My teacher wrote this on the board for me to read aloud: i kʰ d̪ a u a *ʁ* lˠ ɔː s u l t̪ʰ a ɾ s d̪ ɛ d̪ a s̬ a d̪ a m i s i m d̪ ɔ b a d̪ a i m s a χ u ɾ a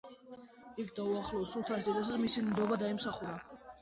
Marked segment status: incorrect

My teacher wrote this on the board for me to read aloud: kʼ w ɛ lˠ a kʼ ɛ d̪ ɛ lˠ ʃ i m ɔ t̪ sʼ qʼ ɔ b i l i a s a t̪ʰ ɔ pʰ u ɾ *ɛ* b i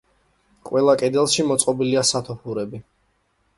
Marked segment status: correct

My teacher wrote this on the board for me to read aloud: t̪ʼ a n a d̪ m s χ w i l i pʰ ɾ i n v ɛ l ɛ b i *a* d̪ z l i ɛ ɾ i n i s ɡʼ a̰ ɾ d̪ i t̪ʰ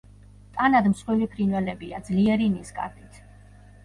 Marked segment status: correct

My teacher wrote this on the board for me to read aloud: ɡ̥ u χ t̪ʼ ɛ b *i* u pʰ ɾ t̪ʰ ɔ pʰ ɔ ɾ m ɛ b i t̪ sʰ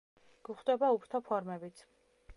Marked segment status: incorrect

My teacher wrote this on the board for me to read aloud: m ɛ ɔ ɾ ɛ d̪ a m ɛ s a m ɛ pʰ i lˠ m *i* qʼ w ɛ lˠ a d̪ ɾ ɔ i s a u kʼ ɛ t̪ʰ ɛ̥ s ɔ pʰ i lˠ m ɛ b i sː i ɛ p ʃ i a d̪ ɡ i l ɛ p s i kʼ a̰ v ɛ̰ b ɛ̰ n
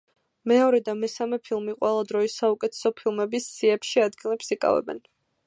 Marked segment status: correct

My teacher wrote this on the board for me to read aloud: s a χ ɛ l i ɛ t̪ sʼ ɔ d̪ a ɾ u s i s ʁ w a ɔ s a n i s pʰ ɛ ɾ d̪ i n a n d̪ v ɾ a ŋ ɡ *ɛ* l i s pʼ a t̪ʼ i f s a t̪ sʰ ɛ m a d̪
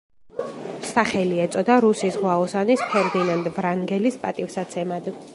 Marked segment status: correct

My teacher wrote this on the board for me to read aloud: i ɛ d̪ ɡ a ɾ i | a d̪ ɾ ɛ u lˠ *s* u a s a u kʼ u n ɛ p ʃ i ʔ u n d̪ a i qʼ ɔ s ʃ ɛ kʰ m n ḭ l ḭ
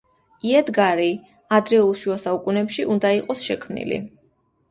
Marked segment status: incorrect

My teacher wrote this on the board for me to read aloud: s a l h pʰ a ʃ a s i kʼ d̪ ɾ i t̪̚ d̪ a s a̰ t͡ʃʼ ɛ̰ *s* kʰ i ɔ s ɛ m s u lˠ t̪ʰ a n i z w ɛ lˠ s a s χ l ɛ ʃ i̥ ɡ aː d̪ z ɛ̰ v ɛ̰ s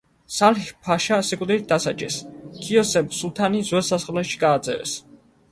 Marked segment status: correct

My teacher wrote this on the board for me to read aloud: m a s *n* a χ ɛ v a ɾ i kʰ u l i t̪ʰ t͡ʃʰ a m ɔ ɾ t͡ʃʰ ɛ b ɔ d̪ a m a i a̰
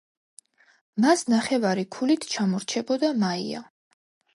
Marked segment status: correct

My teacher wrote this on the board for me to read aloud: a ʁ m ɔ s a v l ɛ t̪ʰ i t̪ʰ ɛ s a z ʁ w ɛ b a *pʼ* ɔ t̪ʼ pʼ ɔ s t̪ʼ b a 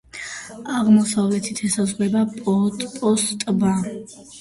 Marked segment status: correct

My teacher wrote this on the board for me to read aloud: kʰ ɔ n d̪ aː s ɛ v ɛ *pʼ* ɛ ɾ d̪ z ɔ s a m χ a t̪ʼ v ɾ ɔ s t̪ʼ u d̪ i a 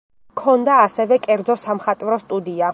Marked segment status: incorrect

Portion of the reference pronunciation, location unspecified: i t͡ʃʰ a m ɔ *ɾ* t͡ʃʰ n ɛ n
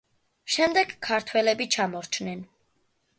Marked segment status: correct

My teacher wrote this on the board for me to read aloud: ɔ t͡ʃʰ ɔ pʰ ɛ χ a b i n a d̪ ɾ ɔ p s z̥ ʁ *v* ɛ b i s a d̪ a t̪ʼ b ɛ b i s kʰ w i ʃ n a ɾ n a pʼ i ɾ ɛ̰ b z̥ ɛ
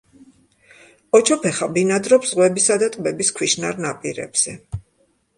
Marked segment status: incorrect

